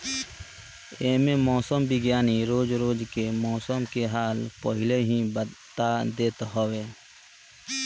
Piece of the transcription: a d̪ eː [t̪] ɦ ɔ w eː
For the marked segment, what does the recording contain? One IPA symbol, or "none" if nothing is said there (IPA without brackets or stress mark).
t̪